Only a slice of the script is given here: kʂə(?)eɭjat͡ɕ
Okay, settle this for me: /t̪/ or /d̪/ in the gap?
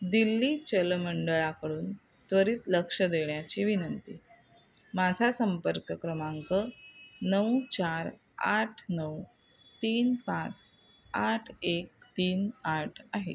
d̪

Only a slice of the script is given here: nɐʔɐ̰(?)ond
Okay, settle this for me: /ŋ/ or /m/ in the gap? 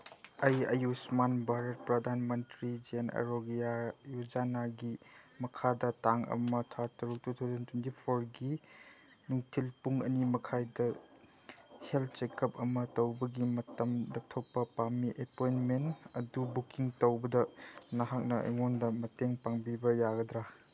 ŋ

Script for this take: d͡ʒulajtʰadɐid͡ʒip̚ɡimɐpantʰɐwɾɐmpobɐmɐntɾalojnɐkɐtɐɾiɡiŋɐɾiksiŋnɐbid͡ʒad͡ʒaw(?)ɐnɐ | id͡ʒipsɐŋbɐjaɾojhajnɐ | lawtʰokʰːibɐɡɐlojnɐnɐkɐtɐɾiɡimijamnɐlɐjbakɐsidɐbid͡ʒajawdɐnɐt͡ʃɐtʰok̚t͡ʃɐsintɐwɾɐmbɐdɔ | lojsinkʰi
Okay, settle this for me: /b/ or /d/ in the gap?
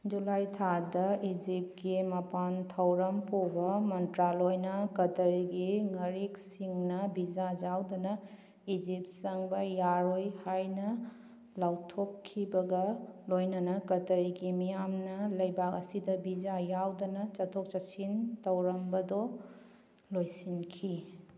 d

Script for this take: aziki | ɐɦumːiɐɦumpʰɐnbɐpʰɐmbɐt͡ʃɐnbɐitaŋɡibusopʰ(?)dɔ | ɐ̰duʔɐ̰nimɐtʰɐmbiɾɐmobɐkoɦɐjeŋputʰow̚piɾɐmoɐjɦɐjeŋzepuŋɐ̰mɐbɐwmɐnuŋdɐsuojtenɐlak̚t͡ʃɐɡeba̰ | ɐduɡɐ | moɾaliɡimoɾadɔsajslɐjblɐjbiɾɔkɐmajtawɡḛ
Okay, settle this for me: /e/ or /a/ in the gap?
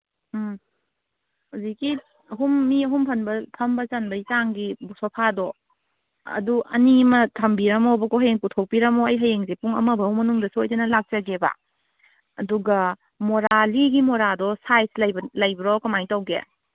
a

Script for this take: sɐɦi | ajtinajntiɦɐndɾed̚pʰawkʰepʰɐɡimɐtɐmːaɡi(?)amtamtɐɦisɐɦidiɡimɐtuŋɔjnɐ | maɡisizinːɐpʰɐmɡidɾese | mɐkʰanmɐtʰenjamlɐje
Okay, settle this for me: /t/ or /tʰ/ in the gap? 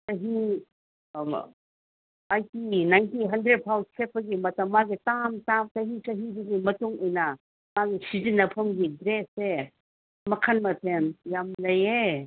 t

